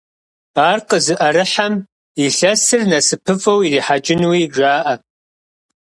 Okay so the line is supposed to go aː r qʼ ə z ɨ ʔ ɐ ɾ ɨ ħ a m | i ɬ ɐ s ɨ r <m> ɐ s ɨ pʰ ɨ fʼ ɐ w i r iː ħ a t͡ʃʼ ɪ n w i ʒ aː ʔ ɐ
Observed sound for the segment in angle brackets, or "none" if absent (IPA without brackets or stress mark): n